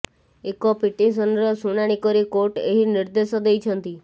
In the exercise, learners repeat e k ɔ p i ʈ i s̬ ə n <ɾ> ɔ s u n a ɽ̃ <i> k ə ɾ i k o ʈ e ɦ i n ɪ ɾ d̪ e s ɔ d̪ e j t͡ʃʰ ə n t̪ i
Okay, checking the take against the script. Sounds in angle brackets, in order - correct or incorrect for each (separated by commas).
correct, correct